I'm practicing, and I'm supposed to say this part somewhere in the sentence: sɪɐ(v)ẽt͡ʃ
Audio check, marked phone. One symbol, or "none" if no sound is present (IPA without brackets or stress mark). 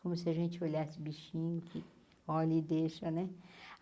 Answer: ʒ